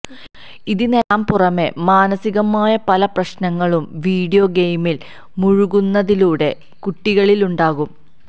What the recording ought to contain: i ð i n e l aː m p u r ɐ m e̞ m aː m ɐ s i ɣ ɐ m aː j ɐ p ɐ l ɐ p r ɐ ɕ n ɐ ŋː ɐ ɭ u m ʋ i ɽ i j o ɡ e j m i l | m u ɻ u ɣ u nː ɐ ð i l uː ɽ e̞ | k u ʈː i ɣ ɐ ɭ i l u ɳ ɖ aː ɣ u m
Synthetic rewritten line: i ð i n e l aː m p u r ɐ m e̞ m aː n ɐ s i ɣ ɐ m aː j ɐ p ɐ l ɐ p r ɐ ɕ n ɐ ŋː ɐ ɭ u m ʋ iː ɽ i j o ɡ e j m i l | m u ɻ u ɣ u nː ɐ ð i l uː ɽ e̞ | k u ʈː i ɣ ɐ ɭ i l u ɳ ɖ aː ɣ u m